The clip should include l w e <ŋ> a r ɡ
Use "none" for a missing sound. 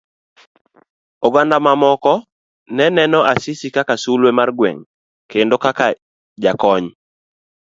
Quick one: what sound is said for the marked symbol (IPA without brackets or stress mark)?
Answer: m